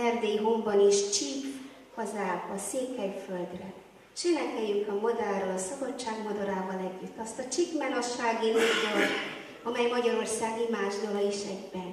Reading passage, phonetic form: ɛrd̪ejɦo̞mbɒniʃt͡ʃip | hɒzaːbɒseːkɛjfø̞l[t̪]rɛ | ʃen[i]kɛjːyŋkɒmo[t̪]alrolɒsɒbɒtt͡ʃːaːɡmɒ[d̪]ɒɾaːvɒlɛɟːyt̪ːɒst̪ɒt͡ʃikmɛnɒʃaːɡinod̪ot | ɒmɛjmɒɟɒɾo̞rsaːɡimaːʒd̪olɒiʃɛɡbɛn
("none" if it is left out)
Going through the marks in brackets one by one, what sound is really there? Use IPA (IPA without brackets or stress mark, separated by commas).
d̪, ɛ, d̪, d̪